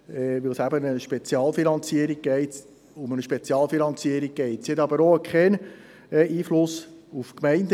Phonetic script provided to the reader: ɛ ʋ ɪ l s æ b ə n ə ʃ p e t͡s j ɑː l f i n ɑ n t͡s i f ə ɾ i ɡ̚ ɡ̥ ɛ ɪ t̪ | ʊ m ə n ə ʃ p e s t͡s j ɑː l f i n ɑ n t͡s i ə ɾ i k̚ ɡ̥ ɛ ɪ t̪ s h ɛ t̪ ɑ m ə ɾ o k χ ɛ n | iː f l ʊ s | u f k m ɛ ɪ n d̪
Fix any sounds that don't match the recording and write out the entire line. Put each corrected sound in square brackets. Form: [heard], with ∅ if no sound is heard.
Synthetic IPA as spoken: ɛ ʋ ɪ l s æ b ə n ə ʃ p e t͡s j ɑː l f i n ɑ n t͡s i [∅] ə ɾ i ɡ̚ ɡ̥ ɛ ɪ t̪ | ʊ m ə n ə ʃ p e [∅] t͡s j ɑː l f i n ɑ n t͡s i ə ɾ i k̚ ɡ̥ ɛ ɪ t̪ s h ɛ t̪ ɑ [b] ə ɾ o k χ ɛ n | iː f l ʊ s | u f k m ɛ ɪ n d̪